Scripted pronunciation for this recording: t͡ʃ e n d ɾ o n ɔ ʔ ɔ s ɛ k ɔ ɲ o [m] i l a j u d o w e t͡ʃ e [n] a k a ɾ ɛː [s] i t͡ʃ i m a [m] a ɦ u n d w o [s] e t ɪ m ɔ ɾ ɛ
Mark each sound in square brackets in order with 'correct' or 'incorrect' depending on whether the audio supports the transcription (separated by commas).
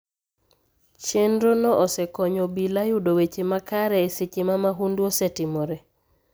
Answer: incorrect, incorrect, correct, correct, correct